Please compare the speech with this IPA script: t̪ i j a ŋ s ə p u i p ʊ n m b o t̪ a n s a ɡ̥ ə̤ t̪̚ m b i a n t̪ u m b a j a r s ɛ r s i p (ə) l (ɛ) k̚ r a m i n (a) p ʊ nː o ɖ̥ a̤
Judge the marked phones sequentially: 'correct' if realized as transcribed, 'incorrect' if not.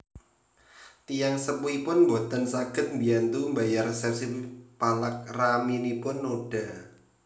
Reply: incorrect: a, incorrect: a, incorrect: i

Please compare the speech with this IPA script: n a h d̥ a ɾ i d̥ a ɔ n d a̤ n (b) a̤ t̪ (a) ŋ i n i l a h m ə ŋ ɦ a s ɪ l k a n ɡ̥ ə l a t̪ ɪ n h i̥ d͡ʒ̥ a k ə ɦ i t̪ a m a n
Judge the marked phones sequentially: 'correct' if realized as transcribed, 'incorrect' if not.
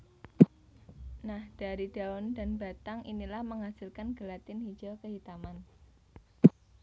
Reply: correct, correct

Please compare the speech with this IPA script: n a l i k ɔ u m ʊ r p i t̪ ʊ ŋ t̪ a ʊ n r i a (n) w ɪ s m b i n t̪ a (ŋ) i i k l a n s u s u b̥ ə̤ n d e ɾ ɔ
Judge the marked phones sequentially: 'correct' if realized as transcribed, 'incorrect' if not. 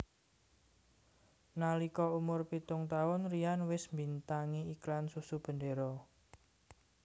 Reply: correct, correct

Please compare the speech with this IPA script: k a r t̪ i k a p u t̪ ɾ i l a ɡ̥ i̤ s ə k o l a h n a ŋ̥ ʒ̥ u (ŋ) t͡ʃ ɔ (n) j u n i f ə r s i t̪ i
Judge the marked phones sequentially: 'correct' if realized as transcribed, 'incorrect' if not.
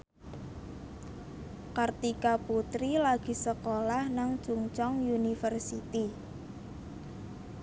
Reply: correct, incorrect: ŋ

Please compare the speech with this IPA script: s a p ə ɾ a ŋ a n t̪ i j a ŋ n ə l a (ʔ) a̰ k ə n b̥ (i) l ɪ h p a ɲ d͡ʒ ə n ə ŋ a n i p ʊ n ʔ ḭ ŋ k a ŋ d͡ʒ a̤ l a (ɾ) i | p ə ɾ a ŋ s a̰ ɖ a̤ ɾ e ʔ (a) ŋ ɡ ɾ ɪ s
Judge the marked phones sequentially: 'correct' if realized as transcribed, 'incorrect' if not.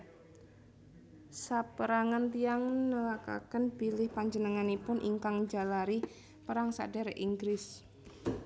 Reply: incorrect: k, correct, correct, incorrect: i

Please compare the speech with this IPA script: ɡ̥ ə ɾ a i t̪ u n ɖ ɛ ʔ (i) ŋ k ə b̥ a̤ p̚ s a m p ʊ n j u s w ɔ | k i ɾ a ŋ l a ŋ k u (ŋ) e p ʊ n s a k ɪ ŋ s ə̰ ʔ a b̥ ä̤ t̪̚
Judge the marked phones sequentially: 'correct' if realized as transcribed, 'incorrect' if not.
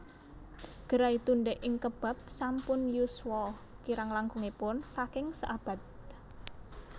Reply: incorrect: ɪ, correct

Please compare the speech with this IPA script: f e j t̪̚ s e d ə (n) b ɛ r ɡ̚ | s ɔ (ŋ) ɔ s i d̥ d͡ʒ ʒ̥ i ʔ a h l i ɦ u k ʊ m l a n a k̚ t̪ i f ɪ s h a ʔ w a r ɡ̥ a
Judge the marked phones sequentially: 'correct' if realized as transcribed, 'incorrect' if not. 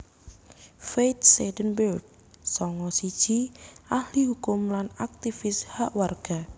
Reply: correct, correct

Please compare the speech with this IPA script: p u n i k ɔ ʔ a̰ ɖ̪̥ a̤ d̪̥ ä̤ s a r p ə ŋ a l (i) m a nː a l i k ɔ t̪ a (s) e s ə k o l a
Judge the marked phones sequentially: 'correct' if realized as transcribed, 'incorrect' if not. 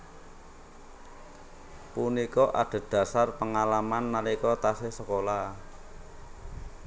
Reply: incorrect: a, correct

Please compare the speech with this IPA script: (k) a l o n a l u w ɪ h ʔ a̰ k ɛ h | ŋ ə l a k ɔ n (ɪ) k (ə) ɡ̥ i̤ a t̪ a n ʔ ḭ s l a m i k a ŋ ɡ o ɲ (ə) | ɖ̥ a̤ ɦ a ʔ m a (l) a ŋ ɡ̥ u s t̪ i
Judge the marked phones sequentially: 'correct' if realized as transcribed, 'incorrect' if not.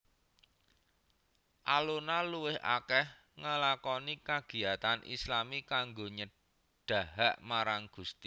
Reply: incorrect: ʔ, incorrect: i, incorrect: a, correct, incorrect: ɾ

